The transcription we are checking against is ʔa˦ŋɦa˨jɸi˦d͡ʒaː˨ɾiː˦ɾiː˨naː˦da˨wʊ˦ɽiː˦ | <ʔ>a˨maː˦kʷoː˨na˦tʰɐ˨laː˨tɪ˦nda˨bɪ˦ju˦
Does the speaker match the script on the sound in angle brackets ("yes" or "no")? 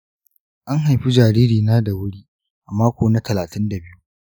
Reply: yes